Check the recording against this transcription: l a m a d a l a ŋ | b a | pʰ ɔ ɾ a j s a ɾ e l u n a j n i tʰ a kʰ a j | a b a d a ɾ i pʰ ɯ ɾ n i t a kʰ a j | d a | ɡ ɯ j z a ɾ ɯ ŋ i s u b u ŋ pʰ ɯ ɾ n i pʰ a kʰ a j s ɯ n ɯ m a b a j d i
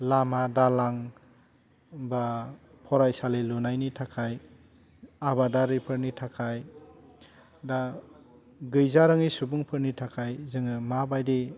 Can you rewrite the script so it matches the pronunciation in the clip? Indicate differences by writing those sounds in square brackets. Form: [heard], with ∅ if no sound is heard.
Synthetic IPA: l a m a d a l a ŋ | b a | pʰ ɔ ɾ a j s a [l] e l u n a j n i tʰ a kʰ a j | a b a d a ɾ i pʰ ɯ ɾ n i [tʰ] a kʰ a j | d a | ɡ ɯ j z a ɾ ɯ ŋ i s u b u ŋ pʰ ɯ ɾ n i [tʰ] a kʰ a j [z] ɯ [ŋ] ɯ m a b a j d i